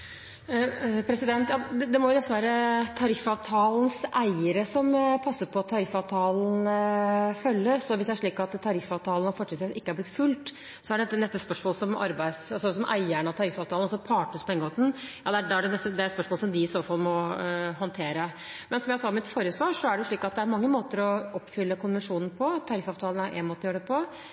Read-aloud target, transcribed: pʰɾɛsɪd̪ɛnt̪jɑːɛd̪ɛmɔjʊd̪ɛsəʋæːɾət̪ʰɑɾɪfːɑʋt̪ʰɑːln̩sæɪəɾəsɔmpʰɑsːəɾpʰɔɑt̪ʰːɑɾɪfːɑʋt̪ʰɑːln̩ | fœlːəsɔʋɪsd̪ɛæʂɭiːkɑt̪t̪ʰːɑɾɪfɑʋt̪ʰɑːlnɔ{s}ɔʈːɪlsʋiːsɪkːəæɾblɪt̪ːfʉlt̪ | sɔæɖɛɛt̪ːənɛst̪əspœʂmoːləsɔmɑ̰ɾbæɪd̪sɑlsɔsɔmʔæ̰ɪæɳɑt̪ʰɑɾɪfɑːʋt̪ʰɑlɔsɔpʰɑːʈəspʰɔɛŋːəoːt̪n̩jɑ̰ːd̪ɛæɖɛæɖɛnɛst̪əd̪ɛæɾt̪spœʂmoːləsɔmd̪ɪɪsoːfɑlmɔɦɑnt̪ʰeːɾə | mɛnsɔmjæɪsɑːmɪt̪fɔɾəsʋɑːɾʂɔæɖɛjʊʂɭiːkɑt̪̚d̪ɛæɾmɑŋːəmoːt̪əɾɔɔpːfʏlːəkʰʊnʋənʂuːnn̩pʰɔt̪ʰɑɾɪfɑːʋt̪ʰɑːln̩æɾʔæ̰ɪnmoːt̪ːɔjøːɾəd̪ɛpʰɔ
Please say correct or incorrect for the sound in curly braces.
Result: incorrect: f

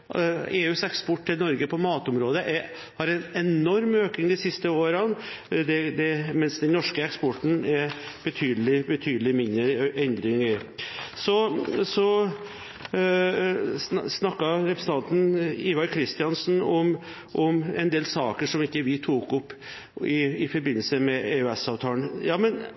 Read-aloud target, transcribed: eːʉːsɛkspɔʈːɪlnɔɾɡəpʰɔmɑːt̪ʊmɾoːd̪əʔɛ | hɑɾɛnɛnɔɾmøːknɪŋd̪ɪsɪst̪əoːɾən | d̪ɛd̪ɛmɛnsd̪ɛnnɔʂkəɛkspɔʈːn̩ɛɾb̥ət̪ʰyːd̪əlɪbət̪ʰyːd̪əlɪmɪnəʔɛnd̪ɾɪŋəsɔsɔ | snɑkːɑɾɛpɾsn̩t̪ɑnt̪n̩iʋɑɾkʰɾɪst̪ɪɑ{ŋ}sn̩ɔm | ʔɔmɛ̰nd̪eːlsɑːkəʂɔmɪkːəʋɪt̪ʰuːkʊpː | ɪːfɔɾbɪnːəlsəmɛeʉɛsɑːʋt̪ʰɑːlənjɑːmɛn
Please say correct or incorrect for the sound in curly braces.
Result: incorrect: n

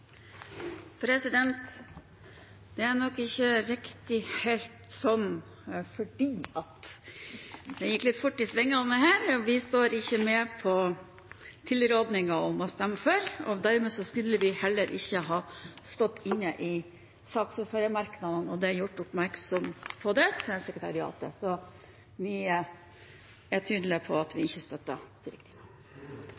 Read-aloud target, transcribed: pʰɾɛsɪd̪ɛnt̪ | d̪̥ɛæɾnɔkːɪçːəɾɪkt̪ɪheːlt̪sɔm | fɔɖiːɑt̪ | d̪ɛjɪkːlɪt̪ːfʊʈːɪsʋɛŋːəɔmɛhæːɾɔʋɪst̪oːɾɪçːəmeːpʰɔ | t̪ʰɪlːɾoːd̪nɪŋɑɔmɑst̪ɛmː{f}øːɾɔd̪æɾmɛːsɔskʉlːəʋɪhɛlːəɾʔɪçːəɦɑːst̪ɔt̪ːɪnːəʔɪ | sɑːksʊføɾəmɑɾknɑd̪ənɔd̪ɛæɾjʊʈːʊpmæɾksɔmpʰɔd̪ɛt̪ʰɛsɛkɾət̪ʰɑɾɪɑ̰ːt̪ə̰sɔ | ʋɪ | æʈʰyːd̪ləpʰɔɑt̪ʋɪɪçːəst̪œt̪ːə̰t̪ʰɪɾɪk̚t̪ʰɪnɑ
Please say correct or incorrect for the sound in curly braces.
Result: correct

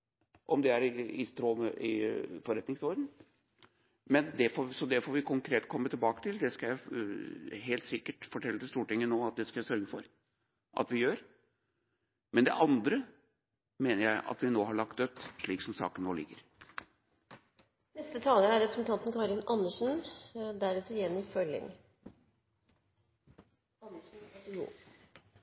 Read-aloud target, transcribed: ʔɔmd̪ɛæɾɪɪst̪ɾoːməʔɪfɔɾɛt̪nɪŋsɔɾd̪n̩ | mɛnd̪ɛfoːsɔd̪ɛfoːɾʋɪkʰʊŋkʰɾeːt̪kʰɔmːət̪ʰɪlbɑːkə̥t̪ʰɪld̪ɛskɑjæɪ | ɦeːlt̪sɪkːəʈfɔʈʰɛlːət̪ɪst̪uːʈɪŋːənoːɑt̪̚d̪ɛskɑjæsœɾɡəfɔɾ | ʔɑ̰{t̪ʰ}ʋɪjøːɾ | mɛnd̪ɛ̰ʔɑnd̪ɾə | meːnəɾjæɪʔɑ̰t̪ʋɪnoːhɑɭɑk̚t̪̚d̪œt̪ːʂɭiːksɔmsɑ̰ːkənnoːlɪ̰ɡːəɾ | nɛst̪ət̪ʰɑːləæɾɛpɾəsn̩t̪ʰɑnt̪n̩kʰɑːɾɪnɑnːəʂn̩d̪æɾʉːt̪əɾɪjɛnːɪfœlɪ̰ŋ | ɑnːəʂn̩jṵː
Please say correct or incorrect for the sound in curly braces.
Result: incorrect: t̪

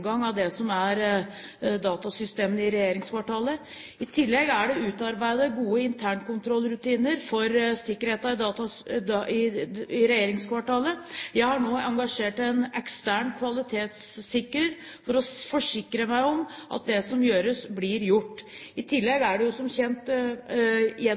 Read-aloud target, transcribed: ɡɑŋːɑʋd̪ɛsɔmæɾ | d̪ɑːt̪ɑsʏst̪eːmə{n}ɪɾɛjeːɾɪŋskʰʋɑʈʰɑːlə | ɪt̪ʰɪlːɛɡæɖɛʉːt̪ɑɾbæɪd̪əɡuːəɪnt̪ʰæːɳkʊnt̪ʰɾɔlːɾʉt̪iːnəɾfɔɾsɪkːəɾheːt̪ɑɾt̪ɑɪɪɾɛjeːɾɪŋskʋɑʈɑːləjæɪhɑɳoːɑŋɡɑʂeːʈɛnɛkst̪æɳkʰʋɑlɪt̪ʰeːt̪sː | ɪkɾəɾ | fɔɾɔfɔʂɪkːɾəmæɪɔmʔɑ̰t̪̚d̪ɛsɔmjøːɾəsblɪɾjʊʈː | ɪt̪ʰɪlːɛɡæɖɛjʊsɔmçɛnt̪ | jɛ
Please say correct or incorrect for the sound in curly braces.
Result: correct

